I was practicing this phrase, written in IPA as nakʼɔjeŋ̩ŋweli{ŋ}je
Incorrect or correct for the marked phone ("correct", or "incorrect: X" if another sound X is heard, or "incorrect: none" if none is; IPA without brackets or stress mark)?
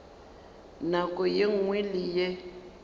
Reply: incorrect: none